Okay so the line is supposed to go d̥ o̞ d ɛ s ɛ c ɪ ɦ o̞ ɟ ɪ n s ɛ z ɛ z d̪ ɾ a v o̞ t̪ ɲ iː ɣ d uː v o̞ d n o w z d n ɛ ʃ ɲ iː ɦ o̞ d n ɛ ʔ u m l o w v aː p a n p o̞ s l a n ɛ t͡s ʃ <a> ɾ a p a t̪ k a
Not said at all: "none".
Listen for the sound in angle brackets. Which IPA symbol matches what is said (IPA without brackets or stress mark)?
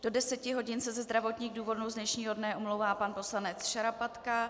a